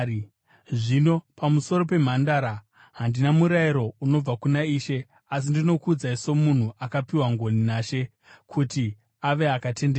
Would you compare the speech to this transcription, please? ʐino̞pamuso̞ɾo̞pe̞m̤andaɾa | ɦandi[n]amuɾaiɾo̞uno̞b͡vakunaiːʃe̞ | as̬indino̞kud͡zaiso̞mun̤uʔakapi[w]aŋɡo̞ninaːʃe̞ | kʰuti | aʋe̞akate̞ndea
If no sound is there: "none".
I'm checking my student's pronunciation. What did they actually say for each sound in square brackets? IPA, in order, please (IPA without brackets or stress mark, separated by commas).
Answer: n, w